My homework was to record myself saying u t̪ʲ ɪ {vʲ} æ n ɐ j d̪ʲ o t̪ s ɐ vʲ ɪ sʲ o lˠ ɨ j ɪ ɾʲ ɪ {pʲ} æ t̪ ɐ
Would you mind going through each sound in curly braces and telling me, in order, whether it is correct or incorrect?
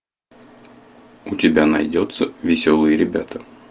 incorrect: bʲ, incorrect: bʲ

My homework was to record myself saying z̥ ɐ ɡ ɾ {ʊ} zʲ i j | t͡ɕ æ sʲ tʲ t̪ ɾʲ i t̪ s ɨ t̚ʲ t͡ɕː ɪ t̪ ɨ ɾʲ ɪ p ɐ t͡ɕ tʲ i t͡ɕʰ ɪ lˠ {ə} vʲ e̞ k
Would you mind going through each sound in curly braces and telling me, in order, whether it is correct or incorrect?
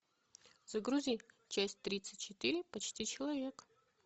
incorrect: u, incorrect: ɐ

